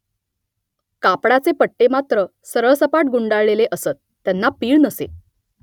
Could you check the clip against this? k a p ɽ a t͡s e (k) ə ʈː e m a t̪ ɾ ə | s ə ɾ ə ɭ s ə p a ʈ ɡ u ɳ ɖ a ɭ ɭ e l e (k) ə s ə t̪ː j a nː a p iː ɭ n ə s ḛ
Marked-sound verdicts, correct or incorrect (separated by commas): incorrect, incorrect